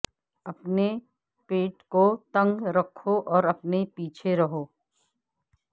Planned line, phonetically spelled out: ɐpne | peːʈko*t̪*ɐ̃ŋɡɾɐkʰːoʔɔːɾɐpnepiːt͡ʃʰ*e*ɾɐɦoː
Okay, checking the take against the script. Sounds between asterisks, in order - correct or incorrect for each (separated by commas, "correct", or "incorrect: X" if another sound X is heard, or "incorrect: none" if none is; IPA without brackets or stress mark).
correct, correct